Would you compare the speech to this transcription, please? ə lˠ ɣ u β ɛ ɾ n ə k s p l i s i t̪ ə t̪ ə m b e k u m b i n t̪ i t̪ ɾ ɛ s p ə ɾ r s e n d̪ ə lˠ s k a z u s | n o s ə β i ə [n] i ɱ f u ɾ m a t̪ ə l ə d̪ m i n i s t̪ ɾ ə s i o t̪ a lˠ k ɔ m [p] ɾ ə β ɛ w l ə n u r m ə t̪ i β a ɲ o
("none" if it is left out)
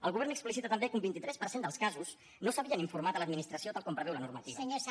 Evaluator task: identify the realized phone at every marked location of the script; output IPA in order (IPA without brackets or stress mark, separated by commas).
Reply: n, p